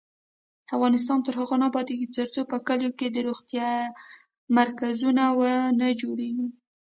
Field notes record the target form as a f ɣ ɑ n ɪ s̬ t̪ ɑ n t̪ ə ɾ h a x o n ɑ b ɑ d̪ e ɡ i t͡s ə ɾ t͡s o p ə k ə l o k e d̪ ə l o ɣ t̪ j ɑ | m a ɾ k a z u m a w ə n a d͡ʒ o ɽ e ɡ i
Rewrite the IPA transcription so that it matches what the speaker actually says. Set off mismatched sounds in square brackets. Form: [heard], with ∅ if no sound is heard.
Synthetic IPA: a f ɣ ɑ n ɪ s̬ t̪ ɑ n t̪ ə ɾ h a [ɣ] o n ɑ b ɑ d̪ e ɡ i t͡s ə ɾ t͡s o p ə k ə l o k e d̪ ə [ɾ] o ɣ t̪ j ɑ | m a ɾ k a z u [n] a w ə n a d͡ʒ o ɽ e ɡ i